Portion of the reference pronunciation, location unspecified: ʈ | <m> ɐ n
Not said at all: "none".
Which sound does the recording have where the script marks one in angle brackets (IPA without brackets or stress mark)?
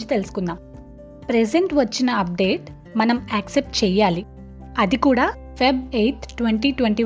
m